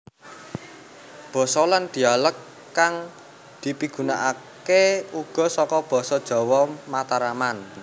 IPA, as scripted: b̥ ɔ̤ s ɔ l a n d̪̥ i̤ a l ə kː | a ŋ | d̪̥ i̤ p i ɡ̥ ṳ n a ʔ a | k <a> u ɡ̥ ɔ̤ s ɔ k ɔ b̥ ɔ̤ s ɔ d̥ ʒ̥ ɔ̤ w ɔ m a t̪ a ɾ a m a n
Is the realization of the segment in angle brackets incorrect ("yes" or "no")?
yes